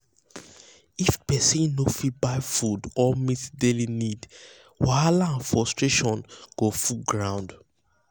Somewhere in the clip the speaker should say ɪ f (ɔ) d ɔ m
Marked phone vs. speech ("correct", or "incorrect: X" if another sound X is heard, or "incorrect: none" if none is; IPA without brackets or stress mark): incorrect: u